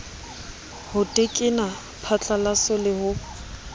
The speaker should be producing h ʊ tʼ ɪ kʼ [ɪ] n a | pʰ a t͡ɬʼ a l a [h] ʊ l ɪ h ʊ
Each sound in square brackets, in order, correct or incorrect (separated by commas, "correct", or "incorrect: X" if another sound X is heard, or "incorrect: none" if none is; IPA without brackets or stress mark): correct, incorrect: s